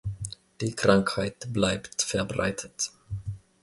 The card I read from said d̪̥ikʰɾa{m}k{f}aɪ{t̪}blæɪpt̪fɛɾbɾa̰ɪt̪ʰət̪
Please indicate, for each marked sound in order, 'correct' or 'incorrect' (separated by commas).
incorrect, incorrect, correct